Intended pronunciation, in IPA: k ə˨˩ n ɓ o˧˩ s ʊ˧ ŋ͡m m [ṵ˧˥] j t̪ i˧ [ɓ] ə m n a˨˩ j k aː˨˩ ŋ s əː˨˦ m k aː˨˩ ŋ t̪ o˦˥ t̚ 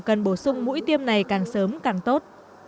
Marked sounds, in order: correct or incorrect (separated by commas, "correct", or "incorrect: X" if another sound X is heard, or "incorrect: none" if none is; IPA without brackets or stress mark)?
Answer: correct, incorrect: none